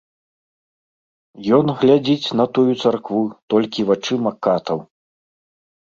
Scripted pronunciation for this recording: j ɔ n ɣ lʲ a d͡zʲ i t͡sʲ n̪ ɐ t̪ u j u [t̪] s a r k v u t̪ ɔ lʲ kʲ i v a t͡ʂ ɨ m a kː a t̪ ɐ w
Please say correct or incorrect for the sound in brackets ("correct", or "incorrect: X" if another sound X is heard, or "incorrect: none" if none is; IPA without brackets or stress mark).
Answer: correct